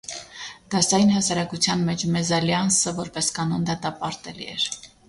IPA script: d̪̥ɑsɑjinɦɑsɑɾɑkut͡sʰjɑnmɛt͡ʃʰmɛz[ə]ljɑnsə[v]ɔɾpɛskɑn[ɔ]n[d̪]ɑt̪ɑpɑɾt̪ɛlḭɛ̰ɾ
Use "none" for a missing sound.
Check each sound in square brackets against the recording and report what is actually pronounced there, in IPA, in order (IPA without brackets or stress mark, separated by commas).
ɑ, v, ɔ, d̪